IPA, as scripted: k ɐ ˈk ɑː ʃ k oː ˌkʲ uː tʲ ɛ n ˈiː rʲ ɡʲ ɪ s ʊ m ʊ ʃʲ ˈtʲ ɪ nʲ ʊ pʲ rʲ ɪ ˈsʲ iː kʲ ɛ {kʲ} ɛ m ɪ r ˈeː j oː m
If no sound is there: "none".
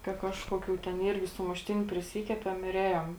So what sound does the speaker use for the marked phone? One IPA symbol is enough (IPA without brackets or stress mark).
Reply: pʲ